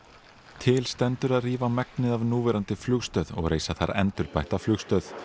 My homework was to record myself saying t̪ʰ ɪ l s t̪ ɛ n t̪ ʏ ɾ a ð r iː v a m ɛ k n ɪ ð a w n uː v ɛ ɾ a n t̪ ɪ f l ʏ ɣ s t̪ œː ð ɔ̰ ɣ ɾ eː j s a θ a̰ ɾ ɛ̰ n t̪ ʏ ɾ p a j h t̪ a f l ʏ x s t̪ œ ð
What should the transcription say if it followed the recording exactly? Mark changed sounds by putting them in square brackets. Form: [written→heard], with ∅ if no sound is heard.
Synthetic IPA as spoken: t̪ʰ ɪ l s t̪ ɛ n t̪ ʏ ɾ a ð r iː v a m ɛ k n ɪ ð a [w→v] n uː v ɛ ɾ a n t̪ ɪ f l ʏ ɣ s t̪ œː ð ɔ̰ ɣ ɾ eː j s a θ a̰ ɾ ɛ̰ n t̪ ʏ ɾ p a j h t̪ a f l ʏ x s t̪ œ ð